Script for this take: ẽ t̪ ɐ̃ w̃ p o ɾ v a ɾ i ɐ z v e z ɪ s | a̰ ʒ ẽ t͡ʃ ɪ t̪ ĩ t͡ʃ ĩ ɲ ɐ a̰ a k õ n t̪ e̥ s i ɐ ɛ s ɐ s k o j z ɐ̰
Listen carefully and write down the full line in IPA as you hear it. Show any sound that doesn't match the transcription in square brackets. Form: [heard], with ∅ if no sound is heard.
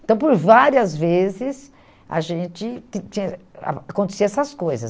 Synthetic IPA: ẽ t̪ ɐ̃ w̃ p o ɾ v a ɾ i ɐ z v e z ɪ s | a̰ ʒ ẽ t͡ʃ ɪ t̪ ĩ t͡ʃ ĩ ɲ ɐ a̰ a k õ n t̪ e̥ s i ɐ ɛ s ɐ s k o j z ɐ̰